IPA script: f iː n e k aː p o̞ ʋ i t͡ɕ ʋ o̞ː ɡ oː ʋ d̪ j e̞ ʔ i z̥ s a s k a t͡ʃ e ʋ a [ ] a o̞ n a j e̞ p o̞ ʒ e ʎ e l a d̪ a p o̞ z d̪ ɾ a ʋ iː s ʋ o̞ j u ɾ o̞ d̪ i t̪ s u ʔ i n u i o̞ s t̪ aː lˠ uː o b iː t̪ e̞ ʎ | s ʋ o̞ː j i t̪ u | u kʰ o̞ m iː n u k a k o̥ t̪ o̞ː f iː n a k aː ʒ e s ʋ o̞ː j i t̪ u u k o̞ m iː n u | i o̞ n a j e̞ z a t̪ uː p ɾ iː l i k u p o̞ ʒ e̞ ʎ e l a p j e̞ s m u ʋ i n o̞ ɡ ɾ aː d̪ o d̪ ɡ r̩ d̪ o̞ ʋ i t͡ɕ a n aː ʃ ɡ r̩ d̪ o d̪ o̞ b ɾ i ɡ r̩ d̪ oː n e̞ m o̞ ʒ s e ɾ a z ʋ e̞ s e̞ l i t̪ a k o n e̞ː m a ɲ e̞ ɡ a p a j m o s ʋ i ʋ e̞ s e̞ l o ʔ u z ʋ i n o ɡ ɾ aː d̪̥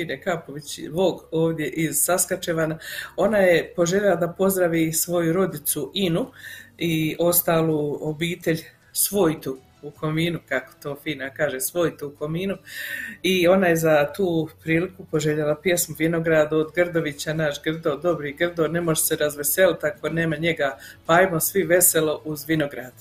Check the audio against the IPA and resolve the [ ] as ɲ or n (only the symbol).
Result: n